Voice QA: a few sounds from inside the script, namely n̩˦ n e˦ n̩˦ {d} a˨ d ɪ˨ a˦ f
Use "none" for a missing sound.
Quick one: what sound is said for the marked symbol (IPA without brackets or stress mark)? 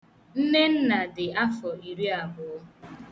n